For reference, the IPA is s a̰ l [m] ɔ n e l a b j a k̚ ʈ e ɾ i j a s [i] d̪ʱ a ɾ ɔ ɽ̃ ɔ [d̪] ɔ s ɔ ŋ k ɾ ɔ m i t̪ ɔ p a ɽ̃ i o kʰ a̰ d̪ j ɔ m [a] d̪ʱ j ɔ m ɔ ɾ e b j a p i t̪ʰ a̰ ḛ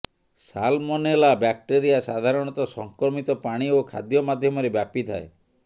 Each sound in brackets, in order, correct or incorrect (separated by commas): correct, incorrect, incorrect, correct